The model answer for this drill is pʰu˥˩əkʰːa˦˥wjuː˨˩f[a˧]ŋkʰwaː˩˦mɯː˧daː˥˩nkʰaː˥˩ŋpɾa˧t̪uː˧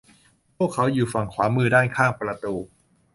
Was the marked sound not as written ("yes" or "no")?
yes